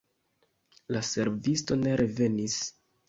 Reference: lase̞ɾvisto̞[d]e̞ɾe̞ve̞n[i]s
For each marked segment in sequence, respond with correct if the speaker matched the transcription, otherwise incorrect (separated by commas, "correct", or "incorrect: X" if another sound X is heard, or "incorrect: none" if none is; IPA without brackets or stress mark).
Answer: incorrect: n, correct